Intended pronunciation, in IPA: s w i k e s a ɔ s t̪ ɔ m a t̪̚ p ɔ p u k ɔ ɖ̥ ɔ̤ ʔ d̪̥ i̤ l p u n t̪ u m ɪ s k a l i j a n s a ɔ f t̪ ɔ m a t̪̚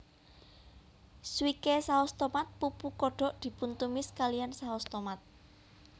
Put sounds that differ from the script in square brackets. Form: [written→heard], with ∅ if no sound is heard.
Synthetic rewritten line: s w i k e s a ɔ s t̪ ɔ m a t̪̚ p [ɔ→u] p u k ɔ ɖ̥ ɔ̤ ʔ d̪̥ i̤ [l→∅] p u n t̪ u m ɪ s k a l i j a n s a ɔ [f→s] t̪ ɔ m a t̪̚

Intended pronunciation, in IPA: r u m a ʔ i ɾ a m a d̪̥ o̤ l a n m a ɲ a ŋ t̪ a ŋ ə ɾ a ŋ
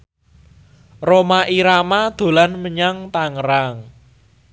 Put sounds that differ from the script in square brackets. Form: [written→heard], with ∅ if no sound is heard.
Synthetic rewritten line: r [u→o] m a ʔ i ɾ a m a d̪̥ o̤ l a n m [a→ə] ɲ a ŋ t̪ a ŋ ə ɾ a ŋ

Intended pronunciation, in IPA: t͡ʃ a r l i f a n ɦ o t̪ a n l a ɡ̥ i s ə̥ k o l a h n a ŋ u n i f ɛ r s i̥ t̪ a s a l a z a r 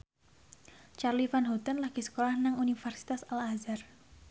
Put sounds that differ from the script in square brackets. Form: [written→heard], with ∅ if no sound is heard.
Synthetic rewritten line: t͡ʃ a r l i f a n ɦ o t̪ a n l a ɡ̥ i s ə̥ k o l a h n a ŋ u n i f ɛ r s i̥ t̪ a s a l a z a r

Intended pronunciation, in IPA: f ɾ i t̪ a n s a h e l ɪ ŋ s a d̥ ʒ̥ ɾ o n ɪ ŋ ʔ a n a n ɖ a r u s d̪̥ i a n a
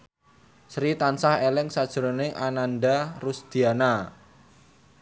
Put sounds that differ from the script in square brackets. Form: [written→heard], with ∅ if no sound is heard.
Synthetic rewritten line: [f→s] ɾ i t̪ a n s a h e l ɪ ŋ s a d̥ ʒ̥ ɾ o n ɪ ŋ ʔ a n a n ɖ a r u s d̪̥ i a n a

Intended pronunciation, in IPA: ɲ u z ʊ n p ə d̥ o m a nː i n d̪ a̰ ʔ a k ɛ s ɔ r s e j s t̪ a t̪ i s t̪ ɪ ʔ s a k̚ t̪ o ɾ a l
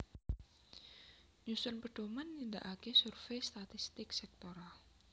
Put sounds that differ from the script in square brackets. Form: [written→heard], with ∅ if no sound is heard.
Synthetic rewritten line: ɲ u [z→s] ʊ n p ə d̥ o m a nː i n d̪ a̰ ʔ a k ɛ s [ɔ→u] r [s→f] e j s t̪ a t̪ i s t̪ ɪ [ʔ→k] s [a→ɛ] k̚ t̪ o ɾ a l

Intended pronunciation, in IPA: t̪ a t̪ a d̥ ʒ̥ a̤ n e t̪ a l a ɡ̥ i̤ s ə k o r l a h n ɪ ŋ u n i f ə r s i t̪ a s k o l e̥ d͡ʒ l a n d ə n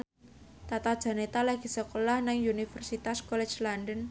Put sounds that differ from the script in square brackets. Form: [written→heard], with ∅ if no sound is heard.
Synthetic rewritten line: t̪ a t̪ a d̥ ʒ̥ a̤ n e t̪ a l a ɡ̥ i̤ s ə k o [r→∅] l a h n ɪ ŋ u n i f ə r s i t̪ a s k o l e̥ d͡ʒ l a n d ə n

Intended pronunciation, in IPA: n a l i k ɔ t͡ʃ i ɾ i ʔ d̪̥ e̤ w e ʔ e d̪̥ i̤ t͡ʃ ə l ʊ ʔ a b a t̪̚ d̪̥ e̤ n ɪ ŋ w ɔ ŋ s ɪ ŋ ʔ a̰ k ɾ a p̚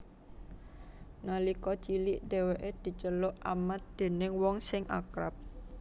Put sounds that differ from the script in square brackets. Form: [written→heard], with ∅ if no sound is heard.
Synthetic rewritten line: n a l i k ɔ t͡ʃ i [ɾ→l] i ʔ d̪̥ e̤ w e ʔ e d̪̥ i̤ t͡ʃ ə l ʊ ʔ a [b→m] a t̪̚ d̪̥ e̤ n ɪ ŋ w ɔ ŋ s ɪ ŋ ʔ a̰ k ɾ a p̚

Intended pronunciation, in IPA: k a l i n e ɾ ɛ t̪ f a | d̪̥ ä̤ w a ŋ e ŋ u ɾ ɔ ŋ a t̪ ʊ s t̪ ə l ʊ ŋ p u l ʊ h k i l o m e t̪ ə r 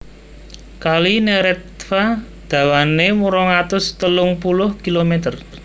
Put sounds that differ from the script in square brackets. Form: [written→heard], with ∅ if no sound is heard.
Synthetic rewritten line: k a l i n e ɾ ɛ t̪ f a | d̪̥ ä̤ w a [ŋ→n] e [ŋ→m] u ɾ ɔ ŋ a t̪ ʊ s t̪ ə l ʊ ŋ p u l ʊ h k i l o m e t̪ ə r

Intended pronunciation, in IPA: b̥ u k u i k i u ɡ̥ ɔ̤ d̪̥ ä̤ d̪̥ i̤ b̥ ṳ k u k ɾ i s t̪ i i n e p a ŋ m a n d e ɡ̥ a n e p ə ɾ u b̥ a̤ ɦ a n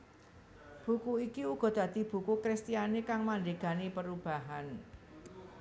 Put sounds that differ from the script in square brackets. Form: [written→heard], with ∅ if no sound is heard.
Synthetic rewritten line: b̥ u k u i k i u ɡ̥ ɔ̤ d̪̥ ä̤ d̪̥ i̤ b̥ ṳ k u k ɾ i s t̪ i [i→a] n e [p→k] a ŋ m a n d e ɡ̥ a n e p ə ɾ u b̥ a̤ ɦ a n

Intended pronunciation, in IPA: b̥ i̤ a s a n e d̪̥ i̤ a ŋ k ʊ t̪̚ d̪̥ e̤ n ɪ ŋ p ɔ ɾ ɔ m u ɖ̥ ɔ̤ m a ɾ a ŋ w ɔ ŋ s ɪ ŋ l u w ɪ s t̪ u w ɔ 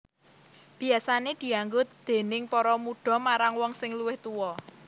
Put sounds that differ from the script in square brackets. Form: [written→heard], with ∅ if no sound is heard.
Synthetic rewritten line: b̥ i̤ a s a n e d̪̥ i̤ a ŋ [k→ɡ] ʊ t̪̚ d̪̥ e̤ n ɪ ŋ p ɔ ɾ ɔ m u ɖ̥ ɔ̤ m a ɾ a ŋ w ɔ ŋ s ɪ ŋ l u w ɪ [s→h] t̪ u w ɔ

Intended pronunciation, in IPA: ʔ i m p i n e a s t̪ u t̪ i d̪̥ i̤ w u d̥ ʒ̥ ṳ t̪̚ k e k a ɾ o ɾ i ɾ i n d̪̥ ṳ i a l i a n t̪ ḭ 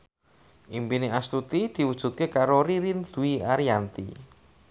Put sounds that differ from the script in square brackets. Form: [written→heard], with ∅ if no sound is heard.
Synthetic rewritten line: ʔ i m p i n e a s t̪ u t̪ i d̪̥ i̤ w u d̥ ʒ̥ ṳ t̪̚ k e k a ɾ o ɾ i ɾ i n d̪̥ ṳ i a [l→ɾ] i a n t̪ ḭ

